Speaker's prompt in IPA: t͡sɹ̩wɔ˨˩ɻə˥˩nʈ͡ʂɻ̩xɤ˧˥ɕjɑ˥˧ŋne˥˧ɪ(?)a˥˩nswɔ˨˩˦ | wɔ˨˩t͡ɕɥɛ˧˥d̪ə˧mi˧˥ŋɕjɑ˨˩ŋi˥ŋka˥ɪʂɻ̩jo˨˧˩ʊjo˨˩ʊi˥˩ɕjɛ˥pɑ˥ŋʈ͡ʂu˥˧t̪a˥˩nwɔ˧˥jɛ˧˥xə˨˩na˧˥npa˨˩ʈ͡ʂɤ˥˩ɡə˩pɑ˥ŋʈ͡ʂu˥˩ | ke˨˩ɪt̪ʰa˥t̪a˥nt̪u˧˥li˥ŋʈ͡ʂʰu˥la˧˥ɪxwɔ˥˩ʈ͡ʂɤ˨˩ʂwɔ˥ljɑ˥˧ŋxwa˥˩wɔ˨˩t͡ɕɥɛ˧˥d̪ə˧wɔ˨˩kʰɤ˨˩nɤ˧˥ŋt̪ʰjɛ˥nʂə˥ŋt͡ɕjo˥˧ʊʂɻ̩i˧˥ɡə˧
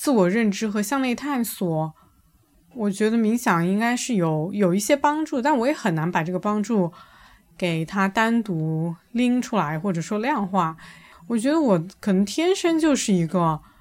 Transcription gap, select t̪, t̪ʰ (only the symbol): t̪ʰ